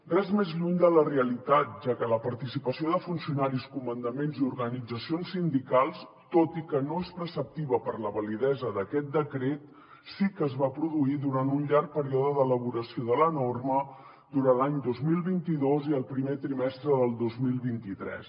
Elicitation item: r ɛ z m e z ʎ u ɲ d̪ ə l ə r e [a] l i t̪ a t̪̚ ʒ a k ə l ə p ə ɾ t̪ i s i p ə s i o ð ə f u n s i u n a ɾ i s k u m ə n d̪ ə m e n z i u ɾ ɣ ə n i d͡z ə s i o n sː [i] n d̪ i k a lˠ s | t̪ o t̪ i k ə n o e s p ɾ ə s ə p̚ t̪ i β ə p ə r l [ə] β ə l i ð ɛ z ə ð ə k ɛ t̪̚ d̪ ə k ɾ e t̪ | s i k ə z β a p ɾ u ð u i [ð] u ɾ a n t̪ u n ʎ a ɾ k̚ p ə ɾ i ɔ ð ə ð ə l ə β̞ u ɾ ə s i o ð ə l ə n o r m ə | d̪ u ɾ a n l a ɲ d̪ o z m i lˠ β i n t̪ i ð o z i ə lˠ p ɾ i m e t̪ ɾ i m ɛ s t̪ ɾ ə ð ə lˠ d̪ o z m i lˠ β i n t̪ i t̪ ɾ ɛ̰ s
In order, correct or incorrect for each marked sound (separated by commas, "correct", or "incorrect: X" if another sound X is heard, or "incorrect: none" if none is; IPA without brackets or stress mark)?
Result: incorrect: ə, correct, correct, correct